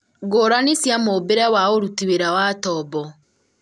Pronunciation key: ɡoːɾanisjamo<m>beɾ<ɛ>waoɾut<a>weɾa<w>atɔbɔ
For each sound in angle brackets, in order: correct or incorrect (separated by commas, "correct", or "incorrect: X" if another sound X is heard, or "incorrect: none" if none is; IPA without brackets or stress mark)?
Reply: incorrect: none, correct, incorrect: i, correct